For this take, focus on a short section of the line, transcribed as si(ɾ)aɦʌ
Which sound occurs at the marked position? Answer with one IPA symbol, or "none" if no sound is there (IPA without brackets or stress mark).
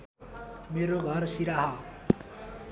ɾ